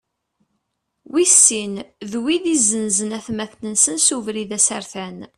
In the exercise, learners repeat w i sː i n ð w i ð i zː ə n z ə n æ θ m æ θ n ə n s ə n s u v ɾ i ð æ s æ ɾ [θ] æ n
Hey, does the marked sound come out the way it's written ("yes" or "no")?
yes